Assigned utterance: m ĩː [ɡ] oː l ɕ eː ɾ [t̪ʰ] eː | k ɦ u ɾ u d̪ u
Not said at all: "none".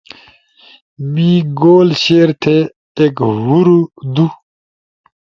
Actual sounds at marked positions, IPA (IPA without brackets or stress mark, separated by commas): ɡ, t̪ʰ